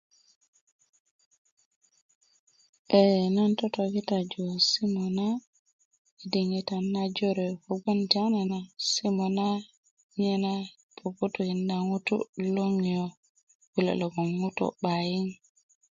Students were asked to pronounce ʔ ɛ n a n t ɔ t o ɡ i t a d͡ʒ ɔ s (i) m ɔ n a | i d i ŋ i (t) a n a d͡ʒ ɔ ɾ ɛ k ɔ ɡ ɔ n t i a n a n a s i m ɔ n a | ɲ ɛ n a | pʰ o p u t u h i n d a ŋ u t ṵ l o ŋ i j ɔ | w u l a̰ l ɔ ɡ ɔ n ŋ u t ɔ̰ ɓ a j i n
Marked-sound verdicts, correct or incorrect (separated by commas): correct, correct